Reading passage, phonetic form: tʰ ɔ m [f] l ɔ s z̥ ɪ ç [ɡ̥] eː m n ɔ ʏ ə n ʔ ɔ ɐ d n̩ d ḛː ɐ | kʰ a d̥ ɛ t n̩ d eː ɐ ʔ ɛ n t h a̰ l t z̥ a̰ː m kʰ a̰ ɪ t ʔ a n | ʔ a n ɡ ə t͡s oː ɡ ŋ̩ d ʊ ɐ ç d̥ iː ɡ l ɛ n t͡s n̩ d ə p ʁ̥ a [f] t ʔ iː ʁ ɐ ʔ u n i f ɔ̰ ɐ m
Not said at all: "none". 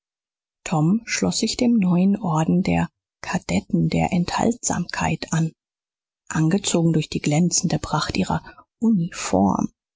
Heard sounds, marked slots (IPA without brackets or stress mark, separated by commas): ʃ, d̥, χ